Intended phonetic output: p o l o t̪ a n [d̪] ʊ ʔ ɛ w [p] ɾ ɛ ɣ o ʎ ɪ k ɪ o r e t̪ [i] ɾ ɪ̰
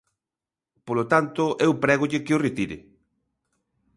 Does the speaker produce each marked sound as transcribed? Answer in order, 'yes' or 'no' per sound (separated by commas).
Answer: no, yes, yes